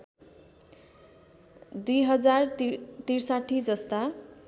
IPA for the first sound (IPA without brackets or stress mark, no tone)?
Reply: d̪